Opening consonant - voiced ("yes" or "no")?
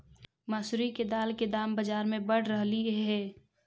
yes